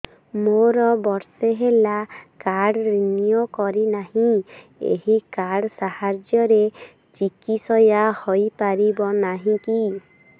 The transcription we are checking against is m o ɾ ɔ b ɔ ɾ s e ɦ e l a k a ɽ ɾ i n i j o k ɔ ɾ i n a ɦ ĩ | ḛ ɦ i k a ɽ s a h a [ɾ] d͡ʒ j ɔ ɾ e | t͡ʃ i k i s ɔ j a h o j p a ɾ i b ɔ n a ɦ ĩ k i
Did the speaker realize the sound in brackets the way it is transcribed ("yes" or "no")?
yes